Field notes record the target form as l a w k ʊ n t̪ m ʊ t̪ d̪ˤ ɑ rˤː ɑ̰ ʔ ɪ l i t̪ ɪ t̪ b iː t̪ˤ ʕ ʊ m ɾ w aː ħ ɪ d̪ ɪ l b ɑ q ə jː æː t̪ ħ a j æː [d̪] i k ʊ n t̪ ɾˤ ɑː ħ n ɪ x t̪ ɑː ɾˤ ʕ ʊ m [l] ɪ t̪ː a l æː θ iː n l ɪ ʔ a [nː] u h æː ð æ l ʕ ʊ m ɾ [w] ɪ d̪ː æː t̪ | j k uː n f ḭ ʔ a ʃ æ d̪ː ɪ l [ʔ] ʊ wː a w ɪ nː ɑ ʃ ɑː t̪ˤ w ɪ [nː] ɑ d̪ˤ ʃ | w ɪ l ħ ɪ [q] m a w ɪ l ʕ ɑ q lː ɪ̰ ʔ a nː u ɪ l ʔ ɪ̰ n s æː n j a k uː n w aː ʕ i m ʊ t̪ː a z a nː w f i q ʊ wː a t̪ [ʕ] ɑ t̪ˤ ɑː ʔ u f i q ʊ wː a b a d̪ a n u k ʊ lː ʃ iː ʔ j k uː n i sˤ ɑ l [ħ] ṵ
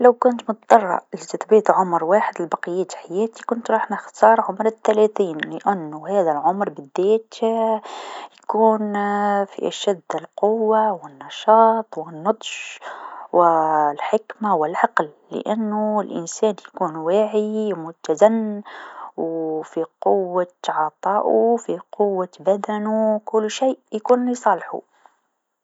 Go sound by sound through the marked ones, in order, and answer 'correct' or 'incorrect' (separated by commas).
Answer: incorrect, incorrect, correct, incorrect, incorrect, correct, incorrect, correct, correct